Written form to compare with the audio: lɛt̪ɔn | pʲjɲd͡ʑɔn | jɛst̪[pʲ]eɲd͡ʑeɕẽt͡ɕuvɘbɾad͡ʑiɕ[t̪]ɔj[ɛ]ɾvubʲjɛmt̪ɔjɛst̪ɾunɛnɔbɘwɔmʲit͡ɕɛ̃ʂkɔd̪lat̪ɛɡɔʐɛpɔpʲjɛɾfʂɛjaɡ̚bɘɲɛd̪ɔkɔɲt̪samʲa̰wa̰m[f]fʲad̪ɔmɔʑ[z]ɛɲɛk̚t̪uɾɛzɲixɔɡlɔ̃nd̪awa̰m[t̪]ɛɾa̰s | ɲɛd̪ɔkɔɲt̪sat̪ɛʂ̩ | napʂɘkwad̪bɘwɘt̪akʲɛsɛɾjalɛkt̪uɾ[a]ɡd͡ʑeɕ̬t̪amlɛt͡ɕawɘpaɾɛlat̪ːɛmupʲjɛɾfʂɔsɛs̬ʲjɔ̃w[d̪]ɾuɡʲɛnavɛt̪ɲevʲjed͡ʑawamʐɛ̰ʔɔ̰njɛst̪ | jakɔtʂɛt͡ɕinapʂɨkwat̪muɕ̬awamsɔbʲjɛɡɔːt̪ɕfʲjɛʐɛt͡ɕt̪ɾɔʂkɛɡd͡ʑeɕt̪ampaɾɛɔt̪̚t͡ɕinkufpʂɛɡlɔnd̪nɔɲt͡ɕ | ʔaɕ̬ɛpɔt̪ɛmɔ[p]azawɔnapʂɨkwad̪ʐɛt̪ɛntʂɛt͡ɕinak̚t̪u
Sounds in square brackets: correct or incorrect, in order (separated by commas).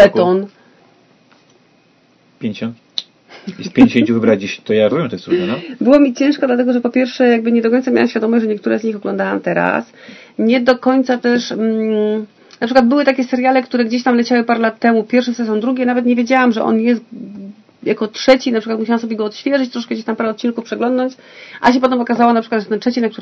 correct, correct, incorrect, incorrect, incorrect, correct, incorrect, correct, incorrect